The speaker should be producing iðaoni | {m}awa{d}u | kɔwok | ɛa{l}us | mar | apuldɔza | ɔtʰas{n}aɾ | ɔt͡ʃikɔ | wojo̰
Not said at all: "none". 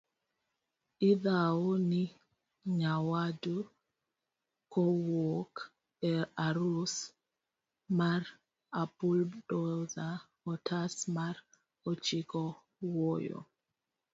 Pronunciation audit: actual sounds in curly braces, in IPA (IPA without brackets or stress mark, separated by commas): ɲ, d, ɾ, m